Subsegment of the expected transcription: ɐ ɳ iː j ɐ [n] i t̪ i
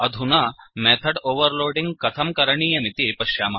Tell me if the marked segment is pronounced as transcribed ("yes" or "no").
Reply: no